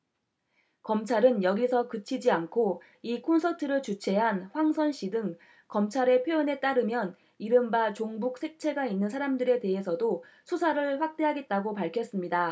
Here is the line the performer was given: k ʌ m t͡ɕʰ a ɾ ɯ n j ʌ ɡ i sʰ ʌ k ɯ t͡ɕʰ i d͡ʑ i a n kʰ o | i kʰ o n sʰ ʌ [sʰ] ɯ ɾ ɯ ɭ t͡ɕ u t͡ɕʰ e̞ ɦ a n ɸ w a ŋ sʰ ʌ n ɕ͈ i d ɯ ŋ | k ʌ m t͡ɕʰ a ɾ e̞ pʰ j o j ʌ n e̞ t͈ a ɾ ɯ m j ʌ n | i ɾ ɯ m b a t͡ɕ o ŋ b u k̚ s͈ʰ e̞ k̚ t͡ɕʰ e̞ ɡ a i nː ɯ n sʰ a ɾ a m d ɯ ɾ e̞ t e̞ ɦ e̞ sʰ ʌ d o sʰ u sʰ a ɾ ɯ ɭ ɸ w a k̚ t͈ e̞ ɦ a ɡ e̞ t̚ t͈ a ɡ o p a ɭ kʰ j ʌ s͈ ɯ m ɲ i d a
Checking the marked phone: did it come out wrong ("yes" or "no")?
yes